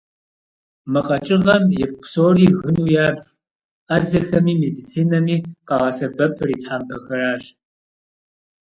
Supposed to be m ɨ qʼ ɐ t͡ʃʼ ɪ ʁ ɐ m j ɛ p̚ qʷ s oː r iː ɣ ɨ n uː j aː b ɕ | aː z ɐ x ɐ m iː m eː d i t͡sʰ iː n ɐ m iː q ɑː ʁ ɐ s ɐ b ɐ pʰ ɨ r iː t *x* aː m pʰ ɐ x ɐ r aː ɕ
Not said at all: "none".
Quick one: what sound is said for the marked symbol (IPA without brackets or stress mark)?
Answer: ħ